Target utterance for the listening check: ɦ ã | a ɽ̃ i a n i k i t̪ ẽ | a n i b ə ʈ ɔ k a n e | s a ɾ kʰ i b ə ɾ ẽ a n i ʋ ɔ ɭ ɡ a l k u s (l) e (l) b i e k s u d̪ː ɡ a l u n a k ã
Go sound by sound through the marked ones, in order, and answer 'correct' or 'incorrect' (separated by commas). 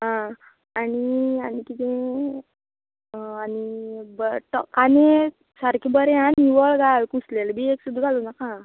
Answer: correct, correct